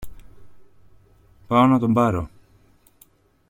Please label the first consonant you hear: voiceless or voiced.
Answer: voiceless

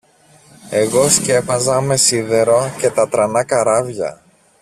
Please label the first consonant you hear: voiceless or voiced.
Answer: voiced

